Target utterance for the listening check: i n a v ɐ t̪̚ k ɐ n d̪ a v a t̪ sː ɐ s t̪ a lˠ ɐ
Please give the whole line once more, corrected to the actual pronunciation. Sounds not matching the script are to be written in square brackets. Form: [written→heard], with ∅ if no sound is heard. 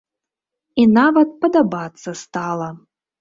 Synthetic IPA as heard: i n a v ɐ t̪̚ [k→p] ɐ [n→∅] d̪ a [v→b] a t̪ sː ɐ s t̪ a lˠ ɐ